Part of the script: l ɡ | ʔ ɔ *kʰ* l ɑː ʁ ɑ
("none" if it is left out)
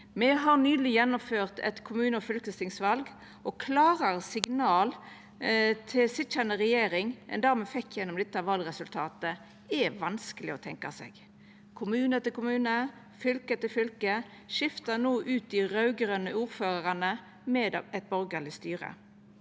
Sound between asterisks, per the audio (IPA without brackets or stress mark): kʰ